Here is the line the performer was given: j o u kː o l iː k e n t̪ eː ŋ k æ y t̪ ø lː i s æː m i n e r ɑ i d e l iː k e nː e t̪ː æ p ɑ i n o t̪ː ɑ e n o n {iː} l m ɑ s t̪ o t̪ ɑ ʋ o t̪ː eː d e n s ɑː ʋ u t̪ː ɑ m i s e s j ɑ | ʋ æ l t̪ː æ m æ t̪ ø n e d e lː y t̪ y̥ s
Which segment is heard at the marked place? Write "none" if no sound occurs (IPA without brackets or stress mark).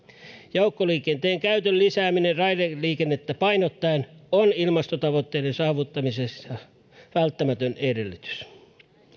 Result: i